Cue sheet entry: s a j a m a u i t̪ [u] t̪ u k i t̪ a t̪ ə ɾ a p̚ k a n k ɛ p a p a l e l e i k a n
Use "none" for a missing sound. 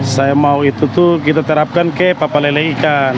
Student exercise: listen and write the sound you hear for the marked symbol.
u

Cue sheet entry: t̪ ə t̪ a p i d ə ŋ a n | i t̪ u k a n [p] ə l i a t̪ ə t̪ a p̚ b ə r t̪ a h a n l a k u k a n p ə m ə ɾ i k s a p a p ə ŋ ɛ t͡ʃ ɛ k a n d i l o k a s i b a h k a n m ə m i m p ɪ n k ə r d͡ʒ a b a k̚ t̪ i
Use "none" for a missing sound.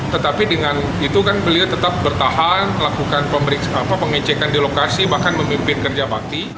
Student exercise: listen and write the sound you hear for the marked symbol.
b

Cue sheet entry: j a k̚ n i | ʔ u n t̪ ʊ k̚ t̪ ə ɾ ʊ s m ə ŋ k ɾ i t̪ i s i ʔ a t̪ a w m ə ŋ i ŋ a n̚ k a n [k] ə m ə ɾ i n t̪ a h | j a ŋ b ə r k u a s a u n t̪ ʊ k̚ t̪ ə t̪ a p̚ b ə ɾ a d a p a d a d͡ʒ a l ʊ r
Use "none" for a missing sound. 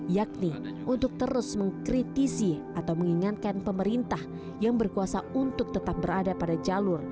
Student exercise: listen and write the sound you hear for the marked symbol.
p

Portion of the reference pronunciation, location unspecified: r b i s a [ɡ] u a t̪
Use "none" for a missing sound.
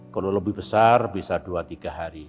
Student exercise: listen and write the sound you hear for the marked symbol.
d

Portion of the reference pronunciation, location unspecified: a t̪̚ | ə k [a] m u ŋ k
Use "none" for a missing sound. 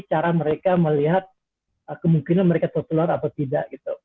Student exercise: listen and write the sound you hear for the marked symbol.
ə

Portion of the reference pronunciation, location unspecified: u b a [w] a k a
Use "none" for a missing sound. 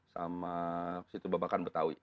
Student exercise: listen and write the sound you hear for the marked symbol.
b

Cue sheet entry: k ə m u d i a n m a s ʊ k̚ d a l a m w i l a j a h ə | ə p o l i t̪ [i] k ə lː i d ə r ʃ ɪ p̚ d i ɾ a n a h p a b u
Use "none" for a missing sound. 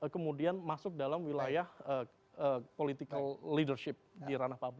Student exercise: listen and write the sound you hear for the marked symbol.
i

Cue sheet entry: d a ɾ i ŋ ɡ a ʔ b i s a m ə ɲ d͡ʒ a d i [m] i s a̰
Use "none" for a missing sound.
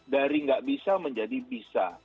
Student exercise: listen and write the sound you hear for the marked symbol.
b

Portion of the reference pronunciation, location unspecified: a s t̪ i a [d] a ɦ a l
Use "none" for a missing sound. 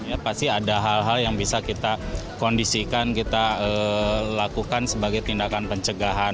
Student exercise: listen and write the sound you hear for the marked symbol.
d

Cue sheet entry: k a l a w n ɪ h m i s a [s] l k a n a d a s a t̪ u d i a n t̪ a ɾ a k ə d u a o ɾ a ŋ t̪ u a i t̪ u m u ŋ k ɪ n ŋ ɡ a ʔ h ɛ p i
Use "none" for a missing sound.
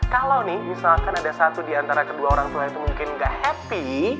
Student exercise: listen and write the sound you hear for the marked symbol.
none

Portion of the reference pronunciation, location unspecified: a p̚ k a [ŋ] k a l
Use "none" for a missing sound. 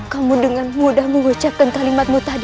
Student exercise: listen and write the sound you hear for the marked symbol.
n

